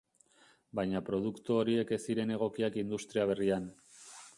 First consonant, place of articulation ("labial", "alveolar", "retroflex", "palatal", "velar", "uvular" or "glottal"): labial